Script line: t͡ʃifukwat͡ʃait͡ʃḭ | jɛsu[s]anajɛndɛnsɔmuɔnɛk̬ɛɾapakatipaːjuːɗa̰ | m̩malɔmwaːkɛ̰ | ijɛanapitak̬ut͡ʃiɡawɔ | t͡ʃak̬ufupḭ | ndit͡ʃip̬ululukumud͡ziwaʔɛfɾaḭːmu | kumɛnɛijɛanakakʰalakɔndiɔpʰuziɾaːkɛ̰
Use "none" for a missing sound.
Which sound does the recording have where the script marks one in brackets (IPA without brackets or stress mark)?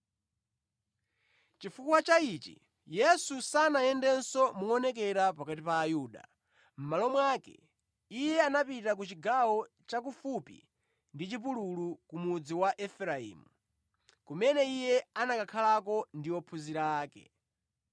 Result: s